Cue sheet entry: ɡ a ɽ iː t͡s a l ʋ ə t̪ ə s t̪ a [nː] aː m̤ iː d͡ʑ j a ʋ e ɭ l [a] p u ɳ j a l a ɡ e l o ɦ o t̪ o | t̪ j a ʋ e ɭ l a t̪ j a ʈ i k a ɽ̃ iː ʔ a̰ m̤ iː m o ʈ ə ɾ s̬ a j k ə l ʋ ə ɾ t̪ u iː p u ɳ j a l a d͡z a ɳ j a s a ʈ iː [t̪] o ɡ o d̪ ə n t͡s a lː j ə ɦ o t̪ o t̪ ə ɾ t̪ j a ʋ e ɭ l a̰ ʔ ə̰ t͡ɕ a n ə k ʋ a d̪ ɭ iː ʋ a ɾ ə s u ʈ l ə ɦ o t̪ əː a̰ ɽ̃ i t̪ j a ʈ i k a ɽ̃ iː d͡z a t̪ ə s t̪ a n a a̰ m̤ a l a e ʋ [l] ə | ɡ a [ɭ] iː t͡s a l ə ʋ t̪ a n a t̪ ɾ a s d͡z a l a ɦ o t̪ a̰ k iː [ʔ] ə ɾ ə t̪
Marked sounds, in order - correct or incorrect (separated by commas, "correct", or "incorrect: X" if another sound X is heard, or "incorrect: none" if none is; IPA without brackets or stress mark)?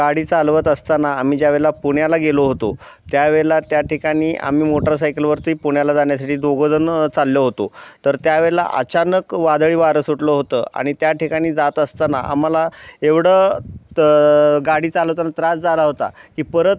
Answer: incorrect: n, correct, incorrect: d̪, incorrect: ɽ, incorrect: ɽ, incorrect: p